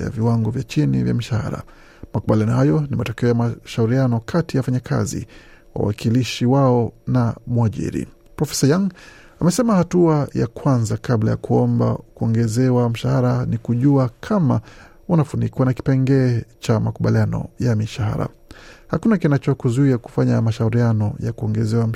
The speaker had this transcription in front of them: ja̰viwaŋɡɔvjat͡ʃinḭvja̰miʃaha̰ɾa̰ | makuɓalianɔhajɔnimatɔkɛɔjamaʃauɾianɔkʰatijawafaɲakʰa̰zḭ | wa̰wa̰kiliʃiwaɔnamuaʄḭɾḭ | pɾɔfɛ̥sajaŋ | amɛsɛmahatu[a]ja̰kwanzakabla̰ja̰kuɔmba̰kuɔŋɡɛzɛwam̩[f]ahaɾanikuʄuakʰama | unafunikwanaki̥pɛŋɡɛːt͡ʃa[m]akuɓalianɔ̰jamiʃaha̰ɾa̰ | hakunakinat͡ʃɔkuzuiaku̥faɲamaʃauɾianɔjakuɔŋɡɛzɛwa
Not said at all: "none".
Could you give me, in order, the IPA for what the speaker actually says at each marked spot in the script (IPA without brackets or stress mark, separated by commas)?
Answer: a, ʃ, m